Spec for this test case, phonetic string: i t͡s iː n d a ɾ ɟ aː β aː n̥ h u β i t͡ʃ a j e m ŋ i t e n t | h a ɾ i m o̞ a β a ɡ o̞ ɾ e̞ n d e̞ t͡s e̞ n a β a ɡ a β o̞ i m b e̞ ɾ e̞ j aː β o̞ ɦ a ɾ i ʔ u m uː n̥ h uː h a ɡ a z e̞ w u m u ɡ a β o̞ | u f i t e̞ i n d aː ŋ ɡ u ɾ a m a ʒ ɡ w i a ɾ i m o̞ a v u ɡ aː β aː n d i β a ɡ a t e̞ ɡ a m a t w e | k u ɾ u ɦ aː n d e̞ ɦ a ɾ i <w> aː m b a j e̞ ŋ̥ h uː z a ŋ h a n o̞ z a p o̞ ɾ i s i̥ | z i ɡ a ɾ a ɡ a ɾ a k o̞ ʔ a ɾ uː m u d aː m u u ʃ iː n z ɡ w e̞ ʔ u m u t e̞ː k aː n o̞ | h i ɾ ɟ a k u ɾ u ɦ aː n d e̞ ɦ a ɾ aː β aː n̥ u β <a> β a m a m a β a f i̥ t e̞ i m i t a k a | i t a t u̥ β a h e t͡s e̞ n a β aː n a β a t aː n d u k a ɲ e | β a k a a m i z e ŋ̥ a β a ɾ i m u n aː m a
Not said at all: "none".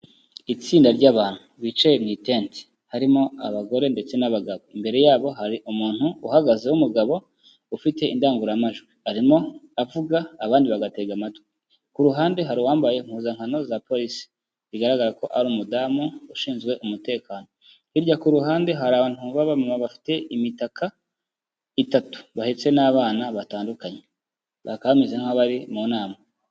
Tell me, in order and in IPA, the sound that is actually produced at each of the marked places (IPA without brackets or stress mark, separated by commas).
w, a